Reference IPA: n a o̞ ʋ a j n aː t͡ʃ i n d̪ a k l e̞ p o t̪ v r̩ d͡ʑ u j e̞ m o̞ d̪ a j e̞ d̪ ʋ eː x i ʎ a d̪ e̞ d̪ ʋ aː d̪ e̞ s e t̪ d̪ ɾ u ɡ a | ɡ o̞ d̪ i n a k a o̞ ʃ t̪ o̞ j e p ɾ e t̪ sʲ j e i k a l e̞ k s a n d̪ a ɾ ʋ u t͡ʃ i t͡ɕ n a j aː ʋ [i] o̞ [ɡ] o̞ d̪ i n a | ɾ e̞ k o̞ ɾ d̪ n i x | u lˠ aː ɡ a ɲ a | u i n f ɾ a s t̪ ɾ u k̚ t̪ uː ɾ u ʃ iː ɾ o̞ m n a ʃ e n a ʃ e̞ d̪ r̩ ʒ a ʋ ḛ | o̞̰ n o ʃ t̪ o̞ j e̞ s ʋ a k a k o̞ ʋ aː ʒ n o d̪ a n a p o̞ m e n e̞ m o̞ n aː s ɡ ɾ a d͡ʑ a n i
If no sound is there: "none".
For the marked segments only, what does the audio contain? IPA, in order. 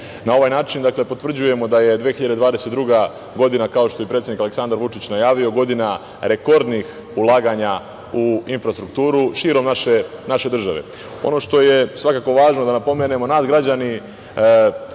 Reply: i, ɡ

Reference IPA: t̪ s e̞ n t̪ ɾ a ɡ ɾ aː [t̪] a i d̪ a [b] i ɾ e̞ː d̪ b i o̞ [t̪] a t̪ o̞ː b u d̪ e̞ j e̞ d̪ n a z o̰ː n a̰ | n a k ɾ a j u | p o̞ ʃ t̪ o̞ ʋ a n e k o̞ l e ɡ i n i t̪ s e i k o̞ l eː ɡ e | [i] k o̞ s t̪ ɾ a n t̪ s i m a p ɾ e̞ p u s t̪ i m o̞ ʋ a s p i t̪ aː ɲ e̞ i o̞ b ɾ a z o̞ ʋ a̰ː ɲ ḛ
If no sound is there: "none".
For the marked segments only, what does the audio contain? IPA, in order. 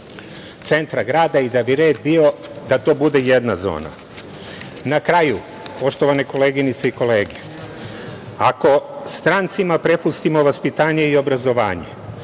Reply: d̪, b, d̪, a

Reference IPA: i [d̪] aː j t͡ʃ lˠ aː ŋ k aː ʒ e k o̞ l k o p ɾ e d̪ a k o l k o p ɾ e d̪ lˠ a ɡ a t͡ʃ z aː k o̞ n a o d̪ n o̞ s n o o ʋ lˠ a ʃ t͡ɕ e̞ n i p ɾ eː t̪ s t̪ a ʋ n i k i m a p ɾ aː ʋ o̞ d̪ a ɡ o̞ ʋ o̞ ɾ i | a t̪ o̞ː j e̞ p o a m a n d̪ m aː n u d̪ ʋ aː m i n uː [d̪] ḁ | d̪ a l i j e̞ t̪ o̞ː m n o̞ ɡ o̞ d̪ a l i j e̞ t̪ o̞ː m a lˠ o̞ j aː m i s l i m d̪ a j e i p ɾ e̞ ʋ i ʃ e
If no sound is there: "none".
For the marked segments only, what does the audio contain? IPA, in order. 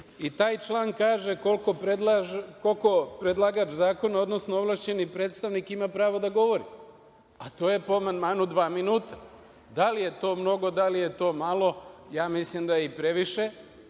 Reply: t̪, t̪

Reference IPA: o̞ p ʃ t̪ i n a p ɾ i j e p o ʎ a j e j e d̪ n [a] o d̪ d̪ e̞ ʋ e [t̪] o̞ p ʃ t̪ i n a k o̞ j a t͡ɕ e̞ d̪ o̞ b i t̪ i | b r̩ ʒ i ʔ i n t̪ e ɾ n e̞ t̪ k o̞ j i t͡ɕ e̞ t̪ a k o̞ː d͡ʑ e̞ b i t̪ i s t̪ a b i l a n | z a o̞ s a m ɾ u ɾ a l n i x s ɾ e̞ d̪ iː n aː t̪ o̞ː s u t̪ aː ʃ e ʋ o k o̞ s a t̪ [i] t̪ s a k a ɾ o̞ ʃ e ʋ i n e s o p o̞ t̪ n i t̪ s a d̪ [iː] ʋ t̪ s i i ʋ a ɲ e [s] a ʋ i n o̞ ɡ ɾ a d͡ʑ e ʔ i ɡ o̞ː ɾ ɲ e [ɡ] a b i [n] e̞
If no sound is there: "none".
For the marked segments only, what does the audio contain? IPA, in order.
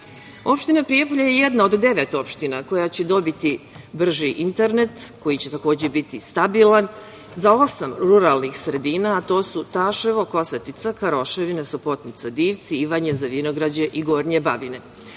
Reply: a, t̪, i, iː, z, b, n

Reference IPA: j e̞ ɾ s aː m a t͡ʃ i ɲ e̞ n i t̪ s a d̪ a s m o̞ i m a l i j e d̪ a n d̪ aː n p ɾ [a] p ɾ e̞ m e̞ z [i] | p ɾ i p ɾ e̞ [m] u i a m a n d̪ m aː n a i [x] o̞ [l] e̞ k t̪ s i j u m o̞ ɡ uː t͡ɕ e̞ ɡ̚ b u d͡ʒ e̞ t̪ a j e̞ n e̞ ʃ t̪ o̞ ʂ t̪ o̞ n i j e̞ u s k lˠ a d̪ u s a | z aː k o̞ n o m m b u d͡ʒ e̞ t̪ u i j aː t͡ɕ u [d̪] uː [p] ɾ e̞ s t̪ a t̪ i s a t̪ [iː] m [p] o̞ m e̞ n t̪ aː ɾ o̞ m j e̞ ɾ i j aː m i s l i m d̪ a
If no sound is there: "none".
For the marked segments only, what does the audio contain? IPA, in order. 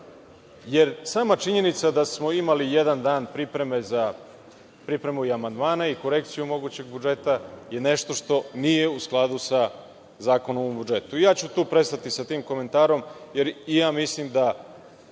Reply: i, a, m, k, ɾ, t̪, p, iː, k

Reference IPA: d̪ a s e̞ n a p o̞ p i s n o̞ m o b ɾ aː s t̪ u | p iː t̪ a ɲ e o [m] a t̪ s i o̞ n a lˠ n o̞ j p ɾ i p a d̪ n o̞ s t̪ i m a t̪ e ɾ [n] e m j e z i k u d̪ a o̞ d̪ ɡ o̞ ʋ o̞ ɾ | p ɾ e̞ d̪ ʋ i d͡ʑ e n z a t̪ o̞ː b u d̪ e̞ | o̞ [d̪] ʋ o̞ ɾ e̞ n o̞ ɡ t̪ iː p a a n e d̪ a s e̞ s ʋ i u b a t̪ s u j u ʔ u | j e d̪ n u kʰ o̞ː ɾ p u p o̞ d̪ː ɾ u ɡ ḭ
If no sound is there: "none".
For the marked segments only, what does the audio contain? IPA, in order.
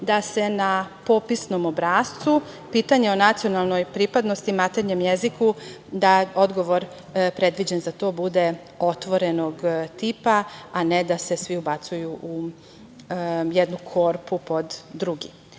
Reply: n, ɲ, t̪

